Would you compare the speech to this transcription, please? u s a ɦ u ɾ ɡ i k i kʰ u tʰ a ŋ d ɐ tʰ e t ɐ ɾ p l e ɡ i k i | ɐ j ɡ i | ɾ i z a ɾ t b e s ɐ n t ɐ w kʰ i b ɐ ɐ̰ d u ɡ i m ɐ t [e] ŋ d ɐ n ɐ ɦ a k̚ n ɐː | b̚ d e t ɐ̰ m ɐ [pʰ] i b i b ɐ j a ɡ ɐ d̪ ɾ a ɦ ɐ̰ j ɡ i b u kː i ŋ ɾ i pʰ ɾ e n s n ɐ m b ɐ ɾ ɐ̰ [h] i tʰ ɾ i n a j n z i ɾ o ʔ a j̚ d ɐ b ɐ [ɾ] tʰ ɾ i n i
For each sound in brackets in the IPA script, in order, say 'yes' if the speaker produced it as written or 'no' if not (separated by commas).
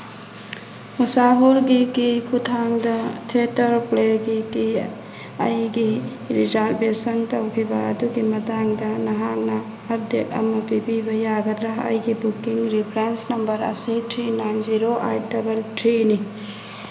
no, no, no, no